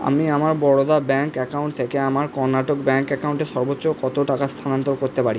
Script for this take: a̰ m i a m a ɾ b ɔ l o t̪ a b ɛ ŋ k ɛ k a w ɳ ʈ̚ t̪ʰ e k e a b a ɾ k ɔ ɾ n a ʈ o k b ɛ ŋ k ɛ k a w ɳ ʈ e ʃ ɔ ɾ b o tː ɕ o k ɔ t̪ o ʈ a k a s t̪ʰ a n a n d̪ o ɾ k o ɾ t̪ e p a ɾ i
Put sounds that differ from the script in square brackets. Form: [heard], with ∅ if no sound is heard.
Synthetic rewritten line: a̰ m i a m a ɾ b ɔ [ɽ] o [d̪] a b ɛ ŋ k ɛ k a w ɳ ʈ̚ t̪ʰ e k e a [m] a ɾ k ɔ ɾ n a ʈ o k b ɛ ŋ k ɛ k a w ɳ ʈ e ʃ ɔ ɾ b o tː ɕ o k ɔ t̪ o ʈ a k a s t̪ʰ a n a n [t̪] o ɾ k o ɾ t̪ e p a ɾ i